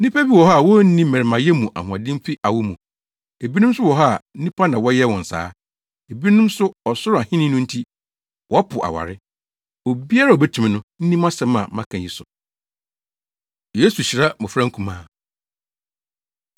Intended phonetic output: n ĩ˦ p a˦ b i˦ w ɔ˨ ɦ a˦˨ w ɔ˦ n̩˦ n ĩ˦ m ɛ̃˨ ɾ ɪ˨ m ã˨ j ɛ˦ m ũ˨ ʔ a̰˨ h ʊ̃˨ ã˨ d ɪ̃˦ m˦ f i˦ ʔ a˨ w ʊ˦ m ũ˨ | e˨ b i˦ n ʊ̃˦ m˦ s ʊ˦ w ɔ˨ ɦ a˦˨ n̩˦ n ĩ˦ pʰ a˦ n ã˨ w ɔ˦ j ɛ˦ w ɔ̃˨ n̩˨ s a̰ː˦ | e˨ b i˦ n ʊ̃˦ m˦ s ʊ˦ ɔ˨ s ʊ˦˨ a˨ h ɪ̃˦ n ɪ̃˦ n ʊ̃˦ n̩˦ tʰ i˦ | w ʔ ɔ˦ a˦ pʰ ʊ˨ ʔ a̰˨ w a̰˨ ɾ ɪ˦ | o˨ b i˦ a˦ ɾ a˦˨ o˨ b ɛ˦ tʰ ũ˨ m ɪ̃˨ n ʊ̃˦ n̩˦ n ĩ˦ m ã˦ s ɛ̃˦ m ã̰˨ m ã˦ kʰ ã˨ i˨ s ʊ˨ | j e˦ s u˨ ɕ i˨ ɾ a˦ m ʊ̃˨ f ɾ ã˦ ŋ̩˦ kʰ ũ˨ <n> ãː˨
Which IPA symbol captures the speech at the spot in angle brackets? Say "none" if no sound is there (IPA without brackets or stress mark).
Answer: m